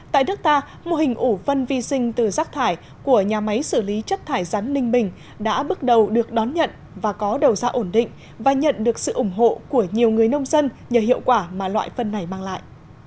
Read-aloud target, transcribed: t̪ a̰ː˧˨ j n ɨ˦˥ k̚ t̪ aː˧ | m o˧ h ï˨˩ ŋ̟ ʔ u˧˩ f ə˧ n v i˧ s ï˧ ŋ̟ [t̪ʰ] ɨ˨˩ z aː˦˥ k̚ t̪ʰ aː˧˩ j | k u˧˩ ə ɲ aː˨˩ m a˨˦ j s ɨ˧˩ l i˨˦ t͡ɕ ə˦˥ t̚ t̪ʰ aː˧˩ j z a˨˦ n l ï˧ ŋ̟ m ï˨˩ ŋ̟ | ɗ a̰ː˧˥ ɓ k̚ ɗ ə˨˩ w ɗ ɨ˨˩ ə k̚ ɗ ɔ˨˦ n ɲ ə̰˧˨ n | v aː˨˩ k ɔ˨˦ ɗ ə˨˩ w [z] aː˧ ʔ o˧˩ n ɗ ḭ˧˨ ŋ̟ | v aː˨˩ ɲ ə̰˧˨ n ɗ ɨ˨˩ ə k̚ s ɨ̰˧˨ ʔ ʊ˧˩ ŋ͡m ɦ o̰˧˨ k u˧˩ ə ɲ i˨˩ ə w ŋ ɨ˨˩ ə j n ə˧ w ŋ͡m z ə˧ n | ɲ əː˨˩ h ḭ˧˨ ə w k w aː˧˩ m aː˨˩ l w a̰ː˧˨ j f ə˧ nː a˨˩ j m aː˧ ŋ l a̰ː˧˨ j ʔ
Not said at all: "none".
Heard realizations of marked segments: t̪, z

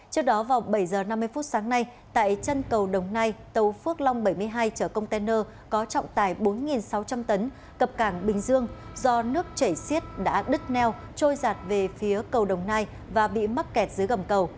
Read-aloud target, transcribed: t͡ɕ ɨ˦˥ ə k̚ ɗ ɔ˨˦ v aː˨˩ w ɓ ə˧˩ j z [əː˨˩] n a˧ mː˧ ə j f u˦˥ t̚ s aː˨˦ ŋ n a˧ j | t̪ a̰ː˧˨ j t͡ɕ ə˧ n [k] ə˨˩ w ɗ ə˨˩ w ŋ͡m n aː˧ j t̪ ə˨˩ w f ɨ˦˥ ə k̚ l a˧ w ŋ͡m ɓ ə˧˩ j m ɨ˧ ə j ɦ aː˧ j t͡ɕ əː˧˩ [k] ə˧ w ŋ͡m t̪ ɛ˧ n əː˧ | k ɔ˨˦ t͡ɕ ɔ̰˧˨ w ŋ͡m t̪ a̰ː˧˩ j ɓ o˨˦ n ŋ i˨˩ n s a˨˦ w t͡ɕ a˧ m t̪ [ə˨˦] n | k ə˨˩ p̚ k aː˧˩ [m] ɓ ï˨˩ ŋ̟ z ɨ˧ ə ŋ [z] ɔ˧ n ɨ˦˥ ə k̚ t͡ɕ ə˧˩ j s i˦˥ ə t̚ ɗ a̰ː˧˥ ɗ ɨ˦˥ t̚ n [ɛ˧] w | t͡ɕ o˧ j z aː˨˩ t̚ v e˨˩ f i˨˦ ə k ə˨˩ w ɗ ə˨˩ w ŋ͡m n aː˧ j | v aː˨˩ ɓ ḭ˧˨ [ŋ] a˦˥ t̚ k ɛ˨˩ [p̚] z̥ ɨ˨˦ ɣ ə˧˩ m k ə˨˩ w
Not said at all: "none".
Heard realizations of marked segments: əː˨˩, k, k, ə˨˦, ŋ, z, ɛ˧, m, t̚

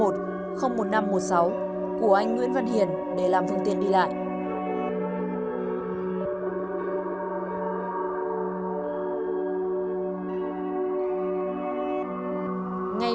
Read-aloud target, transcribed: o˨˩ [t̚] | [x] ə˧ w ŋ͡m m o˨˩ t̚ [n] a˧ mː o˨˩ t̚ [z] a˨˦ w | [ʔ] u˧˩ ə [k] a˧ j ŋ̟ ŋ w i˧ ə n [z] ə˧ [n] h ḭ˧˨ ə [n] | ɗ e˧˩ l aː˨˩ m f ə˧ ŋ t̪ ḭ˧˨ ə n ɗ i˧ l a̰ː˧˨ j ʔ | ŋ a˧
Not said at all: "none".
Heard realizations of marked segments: t̚, x, n, s, k, ʔ, v, n, n

